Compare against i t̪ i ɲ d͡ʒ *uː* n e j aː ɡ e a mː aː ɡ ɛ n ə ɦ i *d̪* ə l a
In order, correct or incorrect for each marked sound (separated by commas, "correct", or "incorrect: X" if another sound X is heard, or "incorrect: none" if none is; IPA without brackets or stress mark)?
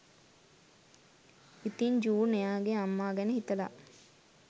correct, incorrect: t̪